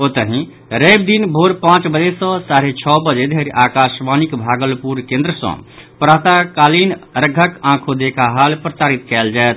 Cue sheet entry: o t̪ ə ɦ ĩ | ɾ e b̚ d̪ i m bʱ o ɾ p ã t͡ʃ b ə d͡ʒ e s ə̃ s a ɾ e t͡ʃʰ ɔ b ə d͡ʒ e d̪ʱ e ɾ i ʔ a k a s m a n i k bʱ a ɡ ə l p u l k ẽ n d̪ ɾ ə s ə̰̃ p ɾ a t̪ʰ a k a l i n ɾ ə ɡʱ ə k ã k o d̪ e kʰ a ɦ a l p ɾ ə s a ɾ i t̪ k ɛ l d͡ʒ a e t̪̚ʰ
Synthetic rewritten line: o t̪ ə ɦ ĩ | ɾ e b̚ d̪ i n bʱ o ɾ p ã t͡ʃ b ə d͡ʒ e s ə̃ s a ɾ e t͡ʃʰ ɔ b ə d͡ʒ e d̪ʱ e ɾ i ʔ a k a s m a n i k bʱ a ɡ ə l p u ɾ k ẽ n d̪ ɾ ə s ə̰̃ p ɾ a t̪ a k a l i n ɾ ə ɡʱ ə k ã kʰ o d̪ e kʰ a ɦ a l p ɾ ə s a ɾ i t̪ k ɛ l d͡ʒ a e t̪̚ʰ